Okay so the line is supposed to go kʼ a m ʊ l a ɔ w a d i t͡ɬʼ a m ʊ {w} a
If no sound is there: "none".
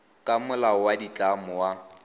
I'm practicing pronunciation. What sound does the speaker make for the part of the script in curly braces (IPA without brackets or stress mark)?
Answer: w